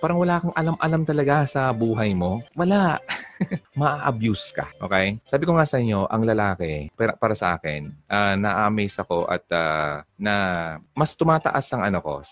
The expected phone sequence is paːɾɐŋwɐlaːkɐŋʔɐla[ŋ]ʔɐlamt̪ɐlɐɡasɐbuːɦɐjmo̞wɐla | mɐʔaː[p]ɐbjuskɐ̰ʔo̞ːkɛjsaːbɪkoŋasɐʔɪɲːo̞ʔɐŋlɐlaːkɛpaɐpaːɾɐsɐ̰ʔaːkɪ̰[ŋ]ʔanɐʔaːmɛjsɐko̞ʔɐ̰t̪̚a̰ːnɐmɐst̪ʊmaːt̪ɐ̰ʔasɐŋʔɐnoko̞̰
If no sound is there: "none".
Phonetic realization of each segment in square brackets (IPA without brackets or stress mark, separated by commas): m, ʔ, n